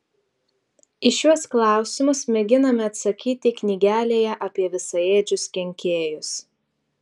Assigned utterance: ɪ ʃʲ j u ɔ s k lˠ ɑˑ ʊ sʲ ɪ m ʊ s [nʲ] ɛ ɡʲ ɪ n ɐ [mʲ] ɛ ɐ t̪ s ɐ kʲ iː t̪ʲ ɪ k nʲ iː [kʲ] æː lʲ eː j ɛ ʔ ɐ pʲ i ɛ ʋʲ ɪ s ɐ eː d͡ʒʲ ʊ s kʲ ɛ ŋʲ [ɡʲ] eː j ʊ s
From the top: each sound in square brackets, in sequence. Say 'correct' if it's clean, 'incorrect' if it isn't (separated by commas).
incorrect, correct, incorrect, incorrect